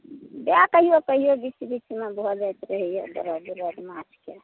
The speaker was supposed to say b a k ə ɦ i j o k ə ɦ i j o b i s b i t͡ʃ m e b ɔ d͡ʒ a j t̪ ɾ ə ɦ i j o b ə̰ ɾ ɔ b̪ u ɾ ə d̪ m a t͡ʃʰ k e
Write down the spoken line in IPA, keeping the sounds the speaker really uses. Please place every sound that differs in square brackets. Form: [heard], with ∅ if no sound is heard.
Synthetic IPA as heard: b a k ə ɦ i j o k ə ɦ i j o b i s b i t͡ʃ m e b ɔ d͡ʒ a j t̪ ɾ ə ɦ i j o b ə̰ ɾ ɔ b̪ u ɾ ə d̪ m a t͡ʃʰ k e